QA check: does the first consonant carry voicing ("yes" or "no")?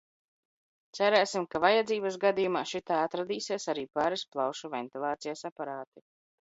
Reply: no